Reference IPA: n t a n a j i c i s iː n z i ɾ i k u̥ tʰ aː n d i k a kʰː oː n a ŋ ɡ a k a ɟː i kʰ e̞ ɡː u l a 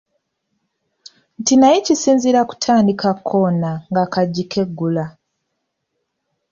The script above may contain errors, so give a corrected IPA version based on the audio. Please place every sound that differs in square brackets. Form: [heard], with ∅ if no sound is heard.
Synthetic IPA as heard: n t [i] n a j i c i s iː n z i ɾ [a] k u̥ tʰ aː n d i k a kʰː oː n a ŋ ɡ a k a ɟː i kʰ e̞ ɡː u l a